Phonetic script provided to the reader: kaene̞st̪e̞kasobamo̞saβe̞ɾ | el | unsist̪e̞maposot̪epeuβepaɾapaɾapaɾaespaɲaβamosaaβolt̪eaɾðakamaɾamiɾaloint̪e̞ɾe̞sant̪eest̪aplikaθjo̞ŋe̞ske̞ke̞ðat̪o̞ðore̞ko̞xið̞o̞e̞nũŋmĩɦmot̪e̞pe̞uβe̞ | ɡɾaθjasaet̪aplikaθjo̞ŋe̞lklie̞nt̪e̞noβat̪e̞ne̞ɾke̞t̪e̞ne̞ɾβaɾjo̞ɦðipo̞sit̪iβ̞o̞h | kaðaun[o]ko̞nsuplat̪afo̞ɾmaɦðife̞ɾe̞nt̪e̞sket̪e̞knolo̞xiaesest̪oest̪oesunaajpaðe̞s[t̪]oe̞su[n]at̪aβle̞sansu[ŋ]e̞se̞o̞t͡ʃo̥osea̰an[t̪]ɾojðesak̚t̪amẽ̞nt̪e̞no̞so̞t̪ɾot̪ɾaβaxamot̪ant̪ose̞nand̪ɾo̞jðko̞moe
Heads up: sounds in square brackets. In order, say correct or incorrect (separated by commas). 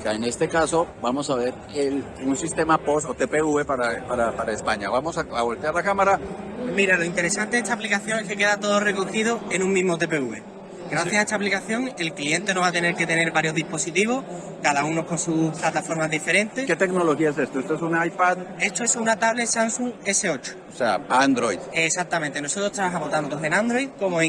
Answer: correct, correct, correct, correct, incorrect